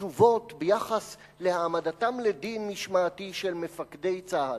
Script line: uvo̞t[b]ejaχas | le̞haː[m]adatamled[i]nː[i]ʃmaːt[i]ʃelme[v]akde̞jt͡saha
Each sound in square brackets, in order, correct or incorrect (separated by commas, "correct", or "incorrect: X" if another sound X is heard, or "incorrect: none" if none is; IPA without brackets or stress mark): correct, correct, correct, correct, correct, incorrect: f